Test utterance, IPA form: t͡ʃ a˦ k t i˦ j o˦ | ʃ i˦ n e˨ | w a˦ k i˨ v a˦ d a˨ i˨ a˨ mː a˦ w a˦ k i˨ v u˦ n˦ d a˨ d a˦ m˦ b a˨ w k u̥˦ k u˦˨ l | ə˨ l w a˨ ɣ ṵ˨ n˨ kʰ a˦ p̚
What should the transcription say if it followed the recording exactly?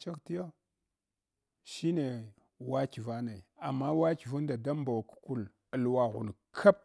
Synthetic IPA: t͡ʃ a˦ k t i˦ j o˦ | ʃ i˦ n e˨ | w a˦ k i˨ v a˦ n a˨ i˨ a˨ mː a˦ w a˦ k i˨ v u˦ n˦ d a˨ d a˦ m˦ b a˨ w k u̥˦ k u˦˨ l | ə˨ l w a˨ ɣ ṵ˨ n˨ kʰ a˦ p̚